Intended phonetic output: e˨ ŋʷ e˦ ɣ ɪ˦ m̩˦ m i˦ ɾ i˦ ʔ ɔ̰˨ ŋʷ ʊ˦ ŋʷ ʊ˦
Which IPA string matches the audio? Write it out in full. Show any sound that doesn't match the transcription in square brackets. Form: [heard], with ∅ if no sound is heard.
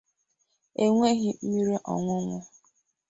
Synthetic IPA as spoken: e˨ ŋʷ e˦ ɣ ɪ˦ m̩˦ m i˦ ɾ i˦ ʔ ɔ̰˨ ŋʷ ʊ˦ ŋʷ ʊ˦

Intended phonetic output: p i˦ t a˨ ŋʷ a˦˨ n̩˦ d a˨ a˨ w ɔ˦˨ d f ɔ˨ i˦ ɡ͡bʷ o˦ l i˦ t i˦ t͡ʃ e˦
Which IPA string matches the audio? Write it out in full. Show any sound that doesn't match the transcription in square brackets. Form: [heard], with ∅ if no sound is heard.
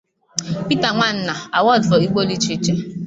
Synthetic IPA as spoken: p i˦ t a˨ ŋʷ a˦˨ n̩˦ [n] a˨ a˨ w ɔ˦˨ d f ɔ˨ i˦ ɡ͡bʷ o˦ l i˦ [t͡ʃ] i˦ t͡ʃ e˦

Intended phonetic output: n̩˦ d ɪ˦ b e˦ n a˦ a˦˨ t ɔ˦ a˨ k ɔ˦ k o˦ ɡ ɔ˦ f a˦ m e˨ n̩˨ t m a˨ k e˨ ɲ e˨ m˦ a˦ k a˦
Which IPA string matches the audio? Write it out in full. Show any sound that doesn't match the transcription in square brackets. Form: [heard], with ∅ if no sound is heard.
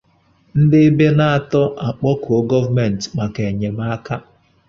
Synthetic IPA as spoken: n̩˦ d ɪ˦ b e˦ n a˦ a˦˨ t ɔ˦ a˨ [k͡p] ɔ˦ k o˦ ɡ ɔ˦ [v] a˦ m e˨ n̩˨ t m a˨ k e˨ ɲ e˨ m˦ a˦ k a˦

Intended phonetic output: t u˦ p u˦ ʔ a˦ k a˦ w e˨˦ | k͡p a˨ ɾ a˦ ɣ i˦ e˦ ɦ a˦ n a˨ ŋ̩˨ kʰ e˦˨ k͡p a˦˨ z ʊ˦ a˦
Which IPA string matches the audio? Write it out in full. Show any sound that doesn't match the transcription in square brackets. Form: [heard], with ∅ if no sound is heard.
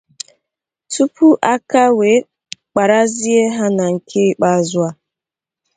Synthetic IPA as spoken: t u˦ p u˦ ʔ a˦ k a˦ w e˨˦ | k͡p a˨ ɾ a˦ [z] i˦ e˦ ɦ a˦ n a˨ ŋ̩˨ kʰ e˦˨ k͡p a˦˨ z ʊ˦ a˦

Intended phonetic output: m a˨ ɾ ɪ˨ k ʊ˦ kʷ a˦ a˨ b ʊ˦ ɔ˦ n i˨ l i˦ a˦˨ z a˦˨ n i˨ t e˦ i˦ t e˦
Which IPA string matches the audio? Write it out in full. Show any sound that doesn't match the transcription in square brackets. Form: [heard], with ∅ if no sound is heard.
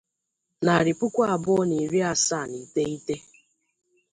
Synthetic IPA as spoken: [n] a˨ ɾ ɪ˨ [p] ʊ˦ kʷ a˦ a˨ b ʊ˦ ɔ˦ n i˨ [ɾ] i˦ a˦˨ [s] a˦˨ n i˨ t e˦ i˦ t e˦

